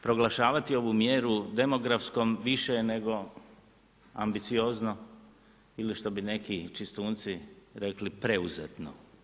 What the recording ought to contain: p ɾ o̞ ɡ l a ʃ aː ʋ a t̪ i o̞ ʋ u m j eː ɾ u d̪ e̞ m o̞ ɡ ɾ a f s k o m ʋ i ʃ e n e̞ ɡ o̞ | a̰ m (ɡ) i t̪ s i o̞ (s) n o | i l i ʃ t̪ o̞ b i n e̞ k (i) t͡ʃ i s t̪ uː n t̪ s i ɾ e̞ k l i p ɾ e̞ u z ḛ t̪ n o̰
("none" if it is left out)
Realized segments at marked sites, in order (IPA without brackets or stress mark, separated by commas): b, z, i